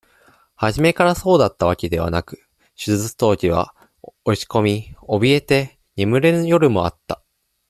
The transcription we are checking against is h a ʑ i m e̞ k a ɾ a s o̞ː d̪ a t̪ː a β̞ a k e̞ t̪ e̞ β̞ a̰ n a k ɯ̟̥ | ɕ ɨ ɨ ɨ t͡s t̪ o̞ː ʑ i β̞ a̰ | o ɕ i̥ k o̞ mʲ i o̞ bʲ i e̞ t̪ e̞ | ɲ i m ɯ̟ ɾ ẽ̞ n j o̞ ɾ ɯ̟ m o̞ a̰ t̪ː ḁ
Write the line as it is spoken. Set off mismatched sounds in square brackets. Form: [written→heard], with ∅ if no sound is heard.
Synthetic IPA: h a ʑ i m e̞ k a ɾ a s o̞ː d̪ a t̪ː a β̞ a k e̞ [t̪→d̪] e̞ β̞ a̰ n a k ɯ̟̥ | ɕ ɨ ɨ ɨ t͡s t̪ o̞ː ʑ i β̞ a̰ | o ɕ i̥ k o̞ mʲ i o̞ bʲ i e̞ t̪ e̞ | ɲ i m ɯ̟ ɾ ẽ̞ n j o̞ ɾ ɯ̟ m o̞ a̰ t̪ː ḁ